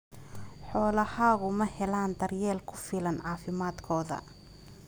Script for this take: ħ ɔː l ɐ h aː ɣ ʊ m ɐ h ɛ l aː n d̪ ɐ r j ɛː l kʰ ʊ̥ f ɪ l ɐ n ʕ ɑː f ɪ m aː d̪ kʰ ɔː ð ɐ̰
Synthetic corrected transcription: ħ ɔː l ɐ h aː ɣ ʊ m ɐ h ɛ l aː n d̪ ɐ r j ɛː l kʰ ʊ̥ f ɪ l ɐ n ʕ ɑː f ɪ m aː d̪ kʰ ɔː ð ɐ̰